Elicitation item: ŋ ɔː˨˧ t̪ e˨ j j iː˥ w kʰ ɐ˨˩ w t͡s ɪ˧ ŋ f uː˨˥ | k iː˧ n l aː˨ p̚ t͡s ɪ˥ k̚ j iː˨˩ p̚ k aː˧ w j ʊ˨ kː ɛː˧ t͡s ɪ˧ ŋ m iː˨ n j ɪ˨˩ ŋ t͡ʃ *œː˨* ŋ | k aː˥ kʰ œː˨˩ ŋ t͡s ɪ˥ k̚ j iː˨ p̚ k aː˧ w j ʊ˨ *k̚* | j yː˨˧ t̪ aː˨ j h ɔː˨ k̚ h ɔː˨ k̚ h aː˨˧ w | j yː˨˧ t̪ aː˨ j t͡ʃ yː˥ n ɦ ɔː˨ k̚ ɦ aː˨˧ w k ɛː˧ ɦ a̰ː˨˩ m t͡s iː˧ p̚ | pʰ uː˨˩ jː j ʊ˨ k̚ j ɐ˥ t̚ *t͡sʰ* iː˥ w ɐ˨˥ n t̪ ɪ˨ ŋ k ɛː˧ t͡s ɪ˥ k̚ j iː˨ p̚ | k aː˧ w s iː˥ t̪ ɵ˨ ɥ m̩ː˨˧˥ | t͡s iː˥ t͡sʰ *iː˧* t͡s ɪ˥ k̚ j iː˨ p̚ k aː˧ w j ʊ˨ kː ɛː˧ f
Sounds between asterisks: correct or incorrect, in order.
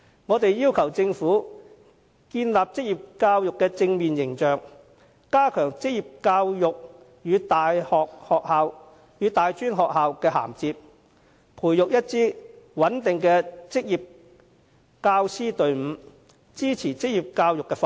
correct, correct, incorrect, incorrect

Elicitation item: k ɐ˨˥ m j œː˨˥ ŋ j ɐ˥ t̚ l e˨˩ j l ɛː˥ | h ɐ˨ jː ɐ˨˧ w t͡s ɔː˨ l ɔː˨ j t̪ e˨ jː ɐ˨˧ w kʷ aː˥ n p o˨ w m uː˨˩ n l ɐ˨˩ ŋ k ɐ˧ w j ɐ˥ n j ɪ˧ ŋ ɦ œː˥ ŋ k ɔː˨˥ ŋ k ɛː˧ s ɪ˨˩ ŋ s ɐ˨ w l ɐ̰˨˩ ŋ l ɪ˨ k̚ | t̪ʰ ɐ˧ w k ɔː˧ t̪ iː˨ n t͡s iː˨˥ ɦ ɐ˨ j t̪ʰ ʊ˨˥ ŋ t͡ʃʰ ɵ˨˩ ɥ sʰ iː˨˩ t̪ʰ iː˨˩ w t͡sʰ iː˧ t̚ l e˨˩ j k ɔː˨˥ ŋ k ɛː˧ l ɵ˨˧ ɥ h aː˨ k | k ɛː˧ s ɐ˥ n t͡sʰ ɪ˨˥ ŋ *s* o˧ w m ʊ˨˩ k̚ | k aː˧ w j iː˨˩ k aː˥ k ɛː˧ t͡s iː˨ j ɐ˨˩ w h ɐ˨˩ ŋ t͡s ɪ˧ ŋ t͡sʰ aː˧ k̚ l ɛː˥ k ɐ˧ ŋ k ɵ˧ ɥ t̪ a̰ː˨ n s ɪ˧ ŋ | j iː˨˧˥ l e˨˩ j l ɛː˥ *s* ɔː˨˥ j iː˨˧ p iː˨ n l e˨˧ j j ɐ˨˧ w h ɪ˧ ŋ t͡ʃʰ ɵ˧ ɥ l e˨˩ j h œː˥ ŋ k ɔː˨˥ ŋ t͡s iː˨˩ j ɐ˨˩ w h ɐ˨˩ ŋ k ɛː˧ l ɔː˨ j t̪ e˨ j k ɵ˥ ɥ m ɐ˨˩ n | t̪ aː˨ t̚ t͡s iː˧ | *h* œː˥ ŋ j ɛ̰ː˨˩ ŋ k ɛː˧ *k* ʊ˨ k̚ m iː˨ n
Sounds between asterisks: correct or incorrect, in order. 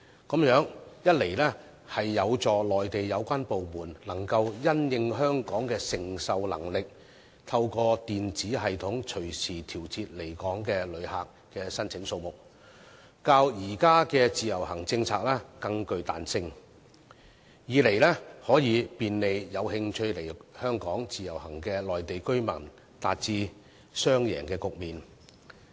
correct, incorrect, incorrect, correct

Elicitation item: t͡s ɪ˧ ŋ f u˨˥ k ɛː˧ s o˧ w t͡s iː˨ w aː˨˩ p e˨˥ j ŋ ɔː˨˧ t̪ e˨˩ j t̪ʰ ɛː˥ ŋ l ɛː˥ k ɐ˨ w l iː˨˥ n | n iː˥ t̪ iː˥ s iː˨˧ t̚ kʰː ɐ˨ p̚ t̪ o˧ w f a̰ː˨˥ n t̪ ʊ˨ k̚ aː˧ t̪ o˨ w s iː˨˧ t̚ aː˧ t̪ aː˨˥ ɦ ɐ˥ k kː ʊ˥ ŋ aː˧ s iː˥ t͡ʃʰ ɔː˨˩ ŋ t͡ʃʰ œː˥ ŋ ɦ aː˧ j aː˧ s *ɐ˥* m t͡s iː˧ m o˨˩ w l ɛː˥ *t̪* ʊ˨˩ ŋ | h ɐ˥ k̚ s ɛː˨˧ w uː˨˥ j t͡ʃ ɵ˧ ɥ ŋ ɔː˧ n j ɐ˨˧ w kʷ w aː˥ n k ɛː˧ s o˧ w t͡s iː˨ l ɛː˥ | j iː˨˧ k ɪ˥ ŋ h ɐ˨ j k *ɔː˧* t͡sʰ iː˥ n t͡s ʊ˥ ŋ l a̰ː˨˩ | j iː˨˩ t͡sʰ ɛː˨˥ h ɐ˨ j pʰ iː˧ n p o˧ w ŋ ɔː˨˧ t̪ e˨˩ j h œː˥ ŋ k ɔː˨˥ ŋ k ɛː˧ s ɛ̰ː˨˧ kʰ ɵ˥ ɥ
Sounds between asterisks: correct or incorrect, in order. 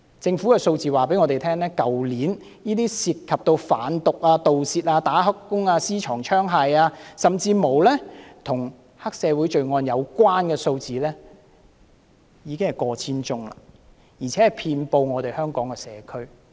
incorrect, incorrect, correct

